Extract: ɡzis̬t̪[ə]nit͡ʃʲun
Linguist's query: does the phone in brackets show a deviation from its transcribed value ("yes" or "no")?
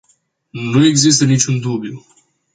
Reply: no